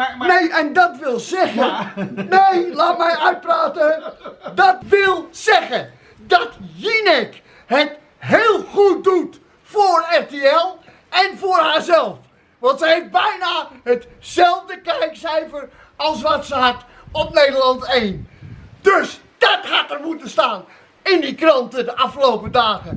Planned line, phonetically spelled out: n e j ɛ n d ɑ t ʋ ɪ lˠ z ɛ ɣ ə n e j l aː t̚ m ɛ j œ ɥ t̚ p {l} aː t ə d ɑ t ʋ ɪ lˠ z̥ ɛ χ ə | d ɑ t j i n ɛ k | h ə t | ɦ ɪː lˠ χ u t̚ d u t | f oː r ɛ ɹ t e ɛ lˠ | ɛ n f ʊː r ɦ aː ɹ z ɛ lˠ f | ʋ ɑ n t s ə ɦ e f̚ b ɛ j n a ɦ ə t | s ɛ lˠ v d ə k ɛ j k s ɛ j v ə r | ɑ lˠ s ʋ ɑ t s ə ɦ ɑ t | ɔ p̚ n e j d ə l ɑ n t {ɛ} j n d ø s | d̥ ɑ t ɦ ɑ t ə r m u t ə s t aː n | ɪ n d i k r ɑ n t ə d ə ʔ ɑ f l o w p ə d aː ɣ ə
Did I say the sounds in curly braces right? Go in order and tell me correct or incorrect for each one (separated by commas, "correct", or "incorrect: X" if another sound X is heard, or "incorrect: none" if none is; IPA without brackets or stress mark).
incorrect: r, incorrect: e